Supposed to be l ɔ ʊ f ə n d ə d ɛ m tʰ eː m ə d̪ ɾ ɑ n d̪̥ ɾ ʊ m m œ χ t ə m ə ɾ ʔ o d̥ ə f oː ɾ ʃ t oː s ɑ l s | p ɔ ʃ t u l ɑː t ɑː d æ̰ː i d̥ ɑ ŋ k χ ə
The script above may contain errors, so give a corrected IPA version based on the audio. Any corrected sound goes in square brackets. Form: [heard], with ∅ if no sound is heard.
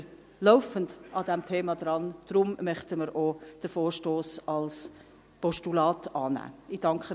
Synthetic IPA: l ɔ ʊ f ə n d [ɑ] d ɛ m tʰ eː m [ɑ] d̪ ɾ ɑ n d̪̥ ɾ ʊ m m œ χ t ə m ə ɾ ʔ o d̥ ə f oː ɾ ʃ t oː s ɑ l s | p ɔ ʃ t u l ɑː t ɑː [n] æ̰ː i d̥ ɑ ŋ k χ ə